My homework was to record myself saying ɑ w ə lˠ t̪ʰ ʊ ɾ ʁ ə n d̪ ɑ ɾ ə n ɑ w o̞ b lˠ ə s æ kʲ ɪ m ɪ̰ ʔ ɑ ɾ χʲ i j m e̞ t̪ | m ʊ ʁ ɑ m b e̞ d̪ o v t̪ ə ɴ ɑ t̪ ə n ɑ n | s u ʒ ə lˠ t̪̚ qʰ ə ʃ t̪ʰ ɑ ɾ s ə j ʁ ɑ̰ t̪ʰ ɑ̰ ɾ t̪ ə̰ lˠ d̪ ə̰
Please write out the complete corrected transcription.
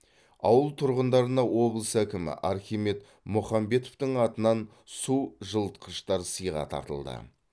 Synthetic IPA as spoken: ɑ w ə lˠ t̪ʰ ʊ ɾ ʁ ə n d̪ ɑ ɾ ə n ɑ w o̞ b lˠ ə s æ kʲ ɪ m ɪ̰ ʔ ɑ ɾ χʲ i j m e̞ t̪ | m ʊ χ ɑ m b e̞ t̪ o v t̪ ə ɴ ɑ t̪ ə n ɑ n | s u ʒ ə lˠ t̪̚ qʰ ə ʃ t̪ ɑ ɾ s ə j ʁ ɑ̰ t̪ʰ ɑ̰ ɾ t̪ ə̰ lˠ d̪ ə̰